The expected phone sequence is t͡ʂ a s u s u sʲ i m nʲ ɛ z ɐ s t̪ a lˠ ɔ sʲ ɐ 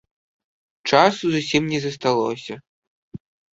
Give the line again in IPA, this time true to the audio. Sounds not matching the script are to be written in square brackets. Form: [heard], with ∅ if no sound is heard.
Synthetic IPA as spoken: t͡ʂ a s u [z] u sʲ i m nʲ ɛ z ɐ s t̪ a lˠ ɔ sʲ ɐ